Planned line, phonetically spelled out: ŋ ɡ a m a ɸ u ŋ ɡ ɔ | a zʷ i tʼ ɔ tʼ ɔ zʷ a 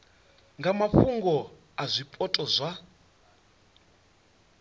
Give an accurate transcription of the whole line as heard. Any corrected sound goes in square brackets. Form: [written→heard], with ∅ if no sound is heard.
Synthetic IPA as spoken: ŋ ɡ a m a ɸ u ŋ ɡ ɔ | a zʷ i [tʼ→pʼ] ɔ tʼ ɔ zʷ a